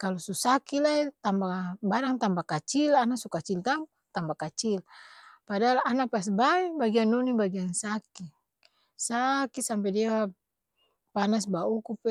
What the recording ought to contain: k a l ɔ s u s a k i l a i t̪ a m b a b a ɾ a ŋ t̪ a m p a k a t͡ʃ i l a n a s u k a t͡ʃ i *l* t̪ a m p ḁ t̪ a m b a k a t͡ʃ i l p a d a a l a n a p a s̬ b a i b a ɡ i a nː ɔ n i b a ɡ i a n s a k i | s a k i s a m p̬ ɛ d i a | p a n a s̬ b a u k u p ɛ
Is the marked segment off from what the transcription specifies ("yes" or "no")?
no